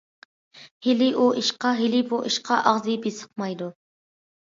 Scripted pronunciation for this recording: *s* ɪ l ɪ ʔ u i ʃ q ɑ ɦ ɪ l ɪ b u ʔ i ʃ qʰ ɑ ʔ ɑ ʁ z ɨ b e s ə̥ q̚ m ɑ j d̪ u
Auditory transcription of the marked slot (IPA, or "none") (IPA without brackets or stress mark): h